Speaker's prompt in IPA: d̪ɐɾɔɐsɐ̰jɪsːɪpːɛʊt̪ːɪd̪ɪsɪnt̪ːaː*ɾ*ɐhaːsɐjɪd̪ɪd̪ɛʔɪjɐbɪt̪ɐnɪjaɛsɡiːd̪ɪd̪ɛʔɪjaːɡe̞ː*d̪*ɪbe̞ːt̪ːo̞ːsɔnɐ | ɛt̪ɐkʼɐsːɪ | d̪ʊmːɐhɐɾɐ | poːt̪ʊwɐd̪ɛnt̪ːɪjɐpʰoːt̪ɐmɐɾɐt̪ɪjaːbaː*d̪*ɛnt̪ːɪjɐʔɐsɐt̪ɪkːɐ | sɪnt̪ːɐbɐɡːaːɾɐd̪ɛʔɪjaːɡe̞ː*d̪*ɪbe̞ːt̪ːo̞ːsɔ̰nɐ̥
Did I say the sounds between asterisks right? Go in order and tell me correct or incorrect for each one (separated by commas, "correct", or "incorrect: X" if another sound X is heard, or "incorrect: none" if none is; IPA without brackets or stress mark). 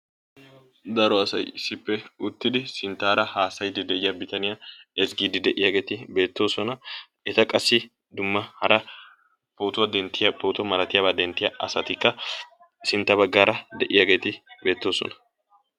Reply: correct, incorrect: t̪, correct, incorrect: t̪